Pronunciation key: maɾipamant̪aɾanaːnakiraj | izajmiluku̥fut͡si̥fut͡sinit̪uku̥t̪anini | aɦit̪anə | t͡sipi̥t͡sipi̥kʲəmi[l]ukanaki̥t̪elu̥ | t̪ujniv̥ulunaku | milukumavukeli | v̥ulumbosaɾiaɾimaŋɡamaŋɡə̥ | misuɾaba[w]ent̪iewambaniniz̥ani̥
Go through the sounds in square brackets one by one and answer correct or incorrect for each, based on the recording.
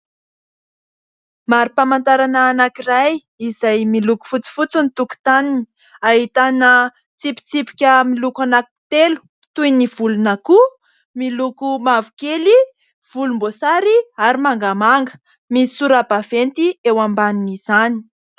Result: correct, incorrect: v

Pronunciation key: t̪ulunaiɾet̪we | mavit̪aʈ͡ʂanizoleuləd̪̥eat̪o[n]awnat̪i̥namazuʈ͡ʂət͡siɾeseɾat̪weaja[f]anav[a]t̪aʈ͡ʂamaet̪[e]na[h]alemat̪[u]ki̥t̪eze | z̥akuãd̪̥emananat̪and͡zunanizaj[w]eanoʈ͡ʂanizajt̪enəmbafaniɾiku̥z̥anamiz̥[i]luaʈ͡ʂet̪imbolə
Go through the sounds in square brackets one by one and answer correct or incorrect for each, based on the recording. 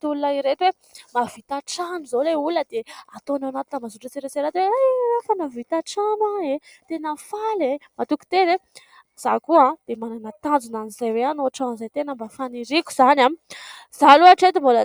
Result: correct, correct, incorrect: i, correct, incorrect: f, correct, correct, incorrect: a

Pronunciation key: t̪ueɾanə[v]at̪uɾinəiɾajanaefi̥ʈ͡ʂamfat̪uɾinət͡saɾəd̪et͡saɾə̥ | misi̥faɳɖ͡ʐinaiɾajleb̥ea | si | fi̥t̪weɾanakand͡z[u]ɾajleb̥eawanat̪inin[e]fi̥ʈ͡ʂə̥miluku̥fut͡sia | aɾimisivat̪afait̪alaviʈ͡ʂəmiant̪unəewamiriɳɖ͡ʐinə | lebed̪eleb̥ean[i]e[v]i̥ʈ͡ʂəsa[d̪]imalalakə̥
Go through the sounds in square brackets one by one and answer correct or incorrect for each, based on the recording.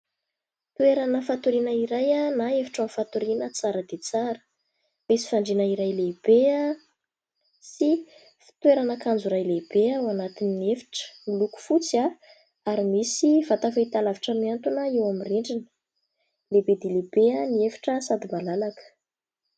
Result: incorrect: f, correct, correct, correct, incorrect: f, correct

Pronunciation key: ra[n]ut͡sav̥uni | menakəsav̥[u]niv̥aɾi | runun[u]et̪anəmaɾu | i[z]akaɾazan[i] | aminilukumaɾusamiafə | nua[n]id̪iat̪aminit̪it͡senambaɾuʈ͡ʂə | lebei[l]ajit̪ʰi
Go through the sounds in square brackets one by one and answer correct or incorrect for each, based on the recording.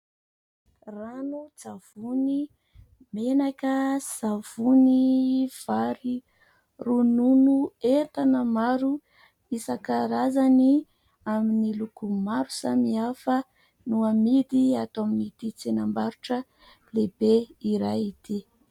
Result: correct, correct, correct, incorrect: s, correct, incorrect: m, incorrect: ɾ

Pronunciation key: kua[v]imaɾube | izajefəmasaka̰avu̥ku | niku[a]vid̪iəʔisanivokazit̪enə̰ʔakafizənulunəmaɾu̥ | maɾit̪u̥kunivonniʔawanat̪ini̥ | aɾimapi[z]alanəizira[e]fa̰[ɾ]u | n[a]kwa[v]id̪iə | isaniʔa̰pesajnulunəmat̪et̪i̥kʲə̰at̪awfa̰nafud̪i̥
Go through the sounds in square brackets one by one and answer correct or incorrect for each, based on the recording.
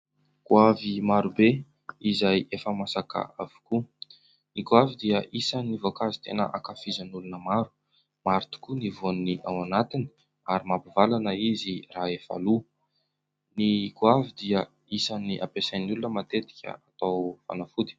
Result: correct, correct, incorrect: v, correct, incorrect: l, incorrect: i, correct

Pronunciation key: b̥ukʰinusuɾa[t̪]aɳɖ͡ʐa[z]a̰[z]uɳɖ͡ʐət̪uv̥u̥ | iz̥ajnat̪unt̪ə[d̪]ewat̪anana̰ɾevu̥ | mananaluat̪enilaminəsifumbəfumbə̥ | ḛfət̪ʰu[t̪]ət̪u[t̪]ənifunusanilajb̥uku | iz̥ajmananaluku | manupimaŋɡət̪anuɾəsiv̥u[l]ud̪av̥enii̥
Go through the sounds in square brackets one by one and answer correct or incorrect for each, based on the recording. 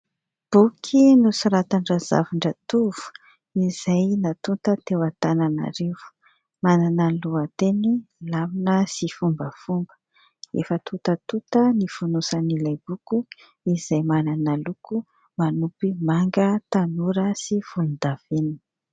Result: correct, correct, incorrect: v, incorrect: t̪, correct, correct, correct

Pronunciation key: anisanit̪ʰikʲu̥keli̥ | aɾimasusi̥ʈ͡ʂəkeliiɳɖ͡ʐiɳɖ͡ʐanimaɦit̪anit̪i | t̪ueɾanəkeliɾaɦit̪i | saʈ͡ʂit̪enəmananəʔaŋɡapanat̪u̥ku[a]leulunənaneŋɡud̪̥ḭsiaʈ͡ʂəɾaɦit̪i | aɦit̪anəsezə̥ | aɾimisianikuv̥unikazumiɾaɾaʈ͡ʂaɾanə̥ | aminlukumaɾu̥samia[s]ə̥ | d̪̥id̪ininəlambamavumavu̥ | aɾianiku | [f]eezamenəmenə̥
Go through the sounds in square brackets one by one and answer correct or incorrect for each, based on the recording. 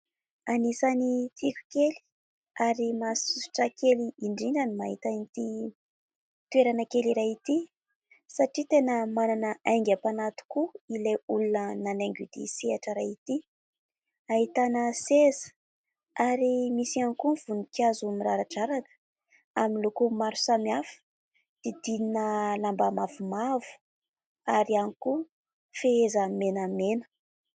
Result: incorrect: i, incorrect: f, correct

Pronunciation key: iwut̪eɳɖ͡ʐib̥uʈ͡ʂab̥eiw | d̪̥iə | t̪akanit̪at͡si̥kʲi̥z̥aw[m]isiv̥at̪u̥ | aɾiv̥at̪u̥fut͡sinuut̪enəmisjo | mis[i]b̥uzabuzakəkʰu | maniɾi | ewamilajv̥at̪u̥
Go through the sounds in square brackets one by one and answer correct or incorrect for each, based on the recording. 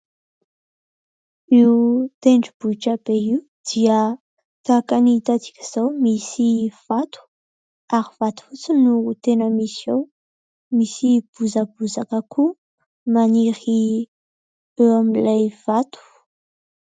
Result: correct, correct

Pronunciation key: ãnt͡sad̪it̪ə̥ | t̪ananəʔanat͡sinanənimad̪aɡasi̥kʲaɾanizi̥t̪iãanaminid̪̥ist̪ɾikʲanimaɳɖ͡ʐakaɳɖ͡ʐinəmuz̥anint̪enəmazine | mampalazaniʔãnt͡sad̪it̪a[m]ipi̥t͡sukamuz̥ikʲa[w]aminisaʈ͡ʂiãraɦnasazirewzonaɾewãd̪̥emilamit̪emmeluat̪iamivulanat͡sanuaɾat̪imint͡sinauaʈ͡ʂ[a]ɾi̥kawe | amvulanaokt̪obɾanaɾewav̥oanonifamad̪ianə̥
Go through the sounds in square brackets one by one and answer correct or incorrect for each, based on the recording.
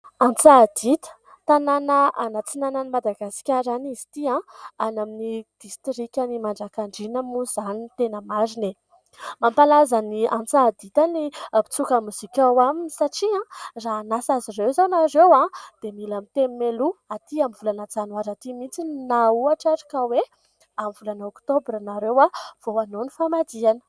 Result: incorrect: n, correct, correct

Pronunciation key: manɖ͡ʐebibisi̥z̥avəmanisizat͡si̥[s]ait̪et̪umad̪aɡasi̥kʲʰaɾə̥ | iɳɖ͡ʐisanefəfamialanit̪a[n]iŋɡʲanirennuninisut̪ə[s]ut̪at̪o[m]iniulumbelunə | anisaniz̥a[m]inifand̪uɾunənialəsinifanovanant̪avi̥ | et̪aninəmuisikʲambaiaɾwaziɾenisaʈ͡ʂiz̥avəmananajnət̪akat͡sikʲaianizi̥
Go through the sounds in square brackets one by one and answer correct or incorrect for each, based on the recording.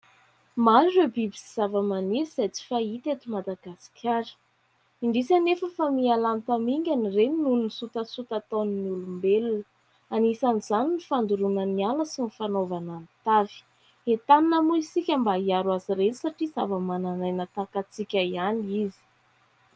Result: incorrect: f, incorrect: m, correct, incorrect: n, incorrect: n

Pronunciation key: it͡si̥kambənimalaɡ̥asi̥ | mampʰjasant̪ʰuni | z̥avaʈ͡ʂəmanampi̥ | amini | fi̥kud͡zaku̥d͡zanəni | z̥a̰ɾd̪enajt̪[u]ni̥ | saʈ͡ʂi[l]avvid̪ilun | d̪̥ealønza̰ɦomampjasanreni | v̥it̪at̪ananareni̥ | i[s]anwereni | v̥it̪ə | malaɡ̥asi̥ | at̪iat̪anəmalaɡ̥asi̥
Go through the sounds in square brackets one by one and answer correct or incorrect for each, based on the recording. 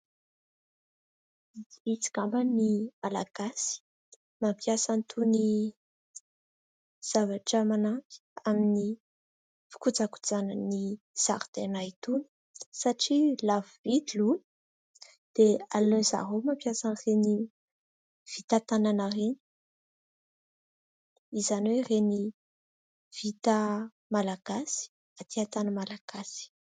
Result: correct, correct, incorrect: z

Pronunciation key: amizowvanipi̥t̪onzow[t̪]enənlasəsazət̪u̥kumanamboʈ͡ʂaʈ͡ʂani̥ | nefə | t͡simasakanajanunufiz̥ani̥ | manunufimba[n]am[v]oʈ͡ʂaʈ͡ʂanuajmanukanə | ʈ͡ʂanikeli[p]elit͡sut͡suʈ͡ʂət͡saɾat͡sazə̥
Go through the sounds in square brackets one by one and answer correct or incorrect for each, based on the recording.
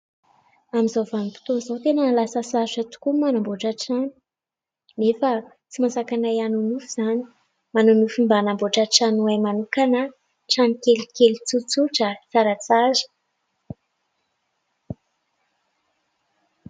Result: correct, correct, incorrect: b, incorrect: k

